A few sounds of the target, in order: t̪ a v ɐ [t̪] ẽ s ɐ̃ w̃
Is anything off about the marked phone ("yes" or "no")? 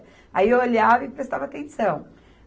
no